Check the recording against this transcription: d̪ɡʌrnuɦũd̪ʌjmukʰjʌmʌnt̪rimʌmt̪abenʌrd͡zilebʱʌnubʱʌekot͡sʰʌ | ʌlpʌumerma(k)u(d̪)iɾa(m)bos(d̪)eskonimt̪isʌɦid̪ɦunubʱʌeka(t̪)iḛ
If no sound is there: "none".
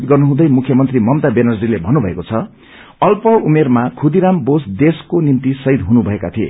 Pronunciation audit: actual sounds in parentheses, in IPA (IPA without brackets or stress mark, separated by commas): kʰ, d̪, m, d̪, t̪ʰ